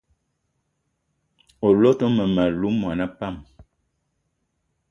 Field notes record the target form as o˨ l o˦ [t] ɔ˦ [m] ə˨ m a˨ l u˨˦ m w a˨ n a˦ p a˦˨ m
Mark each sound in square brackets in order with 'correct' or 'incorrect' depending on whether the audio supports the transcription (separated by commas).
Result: correct, correct